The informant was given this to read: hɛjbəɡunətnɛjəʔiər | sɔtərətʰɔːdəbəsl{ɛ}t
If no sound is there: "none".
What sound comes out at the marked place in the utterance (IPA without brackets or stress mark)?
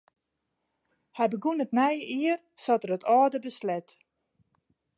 ɛ